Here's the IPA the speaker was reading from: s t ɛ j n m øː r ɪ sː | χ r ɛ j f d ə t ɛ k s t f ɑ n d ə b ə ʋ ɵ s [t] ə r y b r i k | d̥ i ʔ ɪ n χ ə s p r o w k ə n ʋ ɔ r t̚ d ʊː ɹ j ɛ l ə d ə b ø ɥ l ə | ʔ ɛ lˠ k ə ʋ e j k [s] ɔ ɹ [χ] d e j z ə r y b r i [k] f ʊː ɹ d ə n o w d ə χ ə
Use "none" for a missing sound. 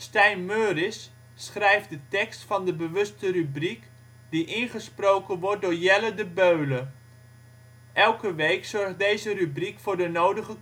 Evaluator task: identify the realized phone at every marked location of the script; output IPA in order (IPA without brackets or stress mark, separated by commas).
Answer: t, s, χ, k